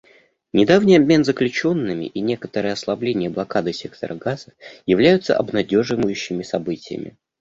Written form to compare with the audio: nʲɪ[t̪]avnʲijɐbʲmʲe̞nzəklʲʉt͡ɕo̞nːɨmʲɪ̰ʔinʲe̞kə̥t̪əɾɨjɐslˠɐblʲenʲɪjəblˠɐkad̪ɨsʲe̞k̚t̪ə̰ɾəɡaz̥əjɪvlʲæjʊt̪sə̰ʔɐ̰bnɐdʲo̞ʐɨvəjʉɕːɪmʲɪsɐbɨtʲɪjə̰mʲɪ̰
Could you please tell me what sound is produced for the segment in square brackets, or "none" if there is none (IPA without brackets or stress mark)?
d̪